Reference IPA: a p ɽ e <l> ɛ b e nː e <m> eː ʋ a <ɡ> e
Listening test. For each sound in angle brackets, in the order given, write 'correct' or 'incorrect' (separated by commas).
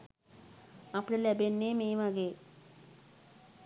correct, correct, correct